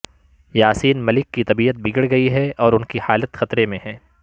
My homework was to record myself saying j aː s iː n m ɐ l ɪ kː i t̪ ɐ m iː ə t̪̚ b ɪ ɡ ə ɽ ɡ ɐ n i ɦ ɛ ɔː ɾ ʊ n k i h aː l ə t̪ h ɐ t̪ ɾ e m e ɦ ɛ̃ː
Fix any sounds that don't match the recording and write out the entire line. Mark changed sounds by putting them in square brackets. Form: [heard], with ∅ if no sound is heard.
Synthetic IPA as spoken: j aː s iː n m ɐ l ɪ kː i t̪ ɐ [b] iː ə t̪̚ b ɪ ɡ ə ɽ ɡ ɐ [∅] i ɦ ɛ ɔː ɾ ʊ n k i h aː l ə t̪ [x] ɐ t̪ ɾ e m [ẽ] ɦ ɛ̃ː